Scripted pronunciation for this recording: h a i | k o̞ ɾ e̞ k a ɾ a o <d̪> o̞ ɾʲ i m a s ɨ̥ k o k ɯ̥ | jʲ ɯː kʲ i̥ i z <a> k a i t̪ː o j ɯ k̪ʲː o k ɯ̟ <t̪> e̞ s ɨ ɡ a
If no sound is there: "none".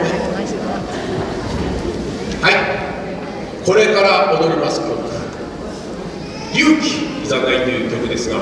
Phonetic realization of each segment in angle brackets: d̪, a, d̪

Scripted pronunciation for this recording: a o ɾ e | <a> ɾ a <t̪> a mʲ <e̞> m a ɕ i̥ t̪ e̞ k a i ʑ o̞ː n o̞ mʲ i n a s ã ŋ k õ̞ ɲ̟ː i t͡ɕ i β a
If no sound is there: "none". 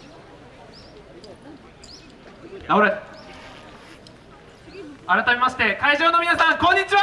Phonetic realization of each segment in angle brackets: a, t̪, e̞

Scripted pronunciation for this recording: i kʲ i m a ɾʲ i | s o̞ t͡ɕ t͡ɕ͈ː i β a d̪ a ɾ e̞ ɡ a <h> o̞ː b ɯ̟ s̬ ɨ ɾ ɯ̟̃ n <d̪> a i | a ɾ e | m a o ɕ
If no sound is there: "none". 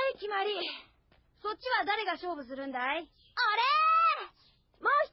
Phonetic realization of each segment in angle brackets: ɕ, d̪

